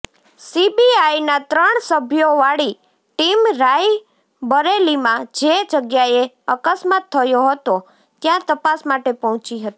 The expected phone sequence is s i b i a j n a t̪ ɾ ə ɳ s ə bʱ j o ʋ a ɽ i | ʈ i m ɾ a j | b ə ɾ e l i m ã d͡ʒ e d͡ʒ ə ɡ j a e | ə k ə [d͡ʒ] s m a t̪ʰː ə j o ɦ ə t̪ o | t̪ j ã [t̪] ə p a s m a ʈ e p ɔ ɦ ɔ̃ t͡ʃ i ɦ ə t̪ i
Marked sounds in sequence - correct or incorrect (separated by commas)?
incorrect, correct